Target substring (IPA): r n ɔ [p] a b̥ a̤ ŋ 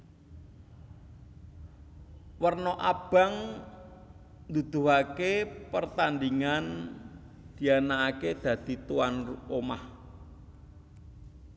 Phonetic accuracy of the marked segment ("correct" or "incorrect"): incorrect